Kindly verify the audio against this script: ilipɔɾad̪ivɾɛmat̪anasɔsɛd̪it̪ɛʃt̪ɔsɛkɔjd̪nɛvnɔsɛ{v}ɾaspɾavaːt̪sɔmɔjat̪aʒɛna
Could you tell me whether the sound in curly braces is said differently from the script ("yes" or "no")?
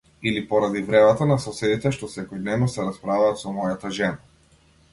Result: yes